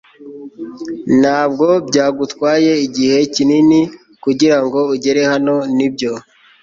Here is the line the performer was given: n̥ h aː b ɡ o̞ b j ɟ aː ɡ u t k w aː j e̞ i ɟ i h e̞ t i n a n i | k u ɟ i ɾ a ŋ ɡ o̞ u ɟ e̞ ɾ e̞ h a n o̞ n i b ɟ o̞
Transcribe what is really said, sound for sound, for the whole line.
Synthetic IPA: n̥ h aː b ɡ o̞ b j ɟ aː ɡ u t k w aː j e̞ i ɟ i h e̞ c i n i n i | k u ɟ i ɾ a ŋ ɡ o̞ u ɟ e̞ ɾ e̞ h a n o̞ n i b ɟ o̞